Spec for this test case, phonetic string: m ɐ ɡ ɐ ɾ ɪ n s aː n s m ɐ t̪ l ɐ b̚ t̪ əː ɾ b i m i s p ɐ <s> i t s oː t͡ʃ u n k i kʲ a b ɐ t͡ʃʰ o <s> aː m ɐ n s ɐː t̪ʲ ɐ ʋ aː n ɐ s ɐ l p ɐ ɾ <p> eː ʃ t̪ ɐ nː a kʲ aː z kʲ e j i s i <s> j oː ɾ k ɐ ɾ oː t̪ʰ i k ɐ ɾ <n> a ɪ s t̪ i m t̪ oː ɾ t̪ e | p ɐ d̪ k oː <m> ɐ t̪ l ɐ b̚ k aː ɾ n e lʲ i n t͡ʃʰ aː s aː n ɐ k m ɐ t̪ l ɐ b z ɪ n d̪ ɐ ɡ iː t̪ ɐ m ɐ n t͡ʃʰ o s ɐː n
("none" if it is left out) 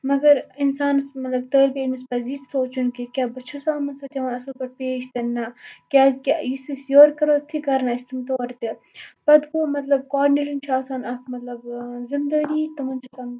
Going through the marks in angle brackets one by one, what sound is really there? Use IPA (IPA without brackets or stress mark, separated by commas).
z, s, p, s, n, m